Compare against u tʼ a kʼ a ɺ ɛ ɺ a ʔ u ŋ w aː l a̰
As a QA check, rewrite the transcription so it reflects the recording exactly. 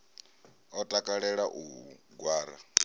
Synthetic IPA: ɔ tʼ a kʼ a ɺ ɛ ɺ a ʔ u ɡ w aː ɾ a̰